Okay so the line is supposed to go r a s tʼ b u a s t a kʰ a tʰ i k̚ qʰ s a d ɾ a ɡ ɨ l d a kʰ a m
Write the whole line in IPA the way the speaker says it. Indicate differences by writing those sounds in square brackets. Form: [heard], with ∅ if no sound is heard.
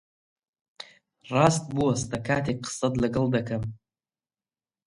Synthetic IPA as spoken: r a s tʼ b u a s t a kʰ a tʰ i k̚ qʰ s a d [l] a ɡ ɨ l d a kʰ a m